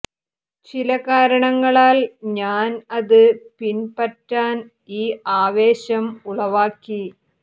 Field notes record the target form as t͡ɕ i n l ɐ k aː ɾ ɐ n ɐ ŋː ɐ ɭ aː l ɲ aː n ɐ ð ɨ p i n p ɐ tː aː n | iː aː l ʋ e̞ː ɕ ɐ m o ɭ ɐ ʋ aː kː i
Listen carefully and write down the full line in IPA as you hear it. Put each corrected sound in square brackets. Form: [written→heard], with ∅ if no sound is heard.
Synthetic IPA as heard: t͡ɕ i [n→∅] l ɐ k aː ɾ ɐ [n→ɳ] ɐ ŋː ɐ ɭ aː l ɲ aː n ɐ ð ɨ p i n p ɐ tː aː n | iː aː [l→∅] ʋ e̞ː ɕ ɐ m [o→u] ɭ ɐ ʋ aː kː i